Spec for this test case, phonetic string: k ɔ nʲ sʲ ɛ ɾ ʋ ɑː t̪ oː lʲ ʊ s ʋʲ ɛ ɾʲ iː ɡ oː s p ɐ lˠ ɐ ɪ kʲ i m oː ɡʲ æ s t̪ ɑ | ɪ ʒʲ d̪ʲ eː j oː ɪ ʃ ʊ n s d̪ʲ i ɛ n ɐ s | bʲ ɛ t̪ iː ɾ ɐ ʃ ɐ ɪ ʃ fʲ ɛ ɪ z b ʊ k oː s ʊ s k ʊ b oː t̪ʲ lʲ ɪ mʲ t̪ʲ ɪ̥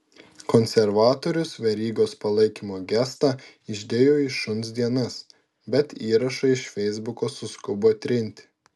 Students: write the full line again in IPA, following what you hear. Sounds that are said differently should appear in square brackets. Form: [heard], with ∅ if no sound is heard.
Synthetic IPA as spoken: k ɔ nʲ sʲ ɛ ɾ ʋ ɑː t̪ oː [ɾʲ] ʊ s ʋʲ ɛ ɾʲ iː ɡ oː s p ɐ lˠ ɐ ɪ kʲ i m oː ɡʲ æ s t̪ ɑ | ɪ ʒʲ d̪ʲ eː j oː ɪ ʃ ʊ n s d̪ʲ i ɛ n ɐ s | bʲ ɛ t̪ iː ɾ ɐ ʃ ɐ ɪ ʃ fʲ ɛ ɪ z b ʊ k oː s ʊ s k ʊ b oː t̪ʲ [ɾʲ] ɪ [nʲ] t̪ʲ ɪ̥

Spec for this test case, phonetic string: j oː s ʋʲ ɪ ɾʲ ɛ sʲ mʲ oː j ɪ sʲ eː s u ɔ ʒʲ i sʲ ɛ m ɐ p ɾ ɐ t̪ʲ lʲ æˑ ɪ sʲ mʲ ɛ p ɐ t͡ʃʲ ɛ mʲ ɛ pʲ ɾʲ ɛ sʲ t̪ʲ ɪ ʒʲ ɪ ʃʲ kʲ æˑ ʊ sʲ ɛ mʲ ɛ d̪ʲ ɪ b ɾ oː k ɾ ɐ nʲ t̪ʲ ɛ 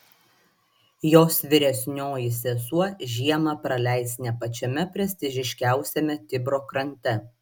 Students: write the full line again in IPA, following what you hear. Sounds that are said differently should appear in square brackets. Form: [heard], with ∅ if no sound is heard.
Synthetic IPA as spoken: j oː s ʋʲ ɪ ɾʲ ɛ sʲ [nʲ] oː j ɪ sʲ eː s u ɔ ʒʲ i [∅] ɛ m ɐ p ɾ ɐ [∅] lʲ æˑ ɪ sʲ [nʲ] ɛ p ɐ t͡ʃʲ ɛ mʲ ɛ pʲ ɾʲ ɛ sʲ t̪ʲ ɪ ʒʲ ɪ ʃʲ kʲ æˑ ʊ sʲ ɛ mʲ ɛ [t̪ʲ] ɪ b ɾ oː k ɾ ɐ nʲ t̪ʲ ɛ

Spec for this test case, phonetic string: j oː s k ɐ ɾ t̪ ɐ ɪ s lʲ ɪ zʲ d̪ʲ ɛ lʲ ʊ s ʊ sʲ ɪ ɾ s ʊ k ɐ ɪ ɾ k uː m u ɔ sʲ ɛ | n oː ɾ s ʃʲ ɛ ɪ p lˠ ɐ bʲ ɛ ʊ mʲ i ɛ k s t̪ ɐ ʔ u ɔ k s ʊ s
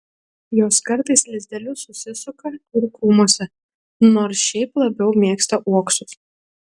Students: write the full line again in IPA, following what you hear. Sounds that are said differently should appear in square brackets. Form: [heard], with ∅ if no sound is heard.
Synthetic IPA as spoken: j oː s k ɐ ɾ t̪ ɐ ɪ s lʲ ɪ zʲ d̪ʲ ɛ lʲ ʊ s ʊ sʲ ɪ [∅] s ʊ k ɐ ɪ ɾ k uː m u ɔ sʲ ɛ | n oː ɾ s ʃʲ ɛ ɪ p lˠ ɐ bʲ ɛ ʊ mʲ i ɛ k s t̪ ɐ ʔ u ɔ k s ʊ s

